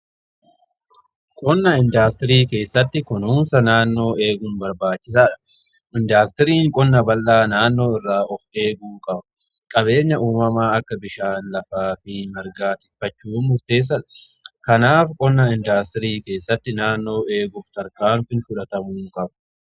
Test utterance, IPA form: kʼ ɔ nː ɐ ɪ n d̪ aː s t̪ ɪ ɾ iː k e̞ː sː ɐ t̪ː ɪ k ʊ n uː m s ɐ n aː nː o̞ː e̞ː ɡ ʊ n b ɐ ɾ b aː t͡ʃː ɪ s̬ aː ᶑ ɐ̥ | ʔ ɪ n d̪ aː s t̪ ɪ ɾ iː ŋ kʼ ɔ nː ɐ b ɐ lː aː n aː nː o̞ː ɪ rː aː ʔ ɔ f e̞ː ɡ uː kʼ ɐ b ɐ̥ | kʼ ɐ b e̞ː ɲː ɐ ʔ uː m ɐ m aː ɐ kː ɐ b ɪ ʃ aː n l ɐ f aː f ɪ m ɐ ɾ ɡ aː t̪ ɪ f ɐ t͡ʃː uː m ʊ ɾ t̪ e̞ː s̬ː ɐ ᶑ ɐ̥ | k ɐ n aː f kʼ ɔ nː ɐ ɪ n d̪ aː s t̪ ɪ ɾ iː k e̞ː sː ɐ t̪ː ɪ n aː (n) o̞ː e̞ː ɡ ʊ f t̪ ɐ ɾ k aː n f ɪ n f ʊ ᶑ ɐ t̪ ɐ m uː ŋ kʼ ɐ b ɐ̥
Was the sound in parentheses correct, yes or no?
no